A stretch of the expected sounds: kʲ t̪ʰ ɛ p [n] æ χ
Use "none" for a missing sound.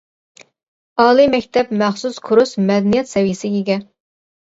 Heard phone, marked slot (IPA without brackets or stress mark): m